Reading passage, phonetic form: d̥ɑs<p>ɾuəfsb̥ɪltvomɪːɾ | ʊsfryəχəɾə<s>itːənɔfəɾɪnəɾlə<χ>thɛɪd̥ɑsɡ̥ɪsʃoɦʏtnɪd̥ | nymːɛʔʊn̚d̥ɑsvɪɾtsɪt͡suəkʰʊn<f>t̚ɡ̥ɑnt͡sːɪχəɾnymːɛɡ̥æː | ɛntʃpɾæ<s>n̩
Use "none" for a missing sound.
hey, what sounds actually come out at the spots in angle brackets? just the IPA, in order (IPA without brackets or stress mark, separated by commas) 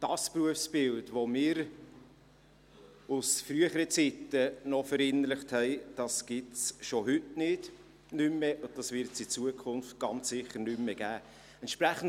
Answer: p, t͡s, χ, f, χ